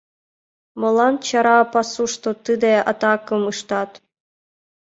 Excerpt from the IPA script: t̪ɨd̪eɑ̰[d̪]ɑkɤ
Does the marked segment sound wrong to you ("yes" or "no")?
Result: yes